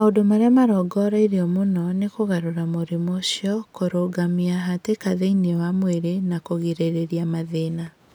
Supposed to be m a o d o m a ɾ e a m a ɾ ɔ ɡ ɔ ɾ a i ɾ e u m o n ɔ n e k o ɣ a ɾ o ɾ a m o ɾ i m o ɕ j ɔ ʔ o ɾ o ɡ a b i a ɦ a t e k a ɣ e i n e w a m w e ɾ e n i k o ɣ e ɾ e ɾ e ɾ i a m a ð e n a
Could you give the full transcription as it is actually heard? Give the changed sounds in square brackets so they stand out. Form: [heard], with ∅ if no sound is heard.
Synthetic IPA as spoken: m a o d o m a ɾ e a m a ɾ ɔ ɡ ɔ ɾ a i ɾ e [ɔ] m o n ɔ n e k o ɣ a ɾ o ɾ a m o ɾ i m o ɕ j ɔ [k] o ɾ o ɡ a [m] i a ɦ a t e k a [ð] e i n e w a m w e ɾ e n [a] k o ɣ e ɾ e ɾ e ɾ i a m a ð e n a